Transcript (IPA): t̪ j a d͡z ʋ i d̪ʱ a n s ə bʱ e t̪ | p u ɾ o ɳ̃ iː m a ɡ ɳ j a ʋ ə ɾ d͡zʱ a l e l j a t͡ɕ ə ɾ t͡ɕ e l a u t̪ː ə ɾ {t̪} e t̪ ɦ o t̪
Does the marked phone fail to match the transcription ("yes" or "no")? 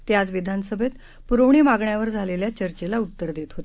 yes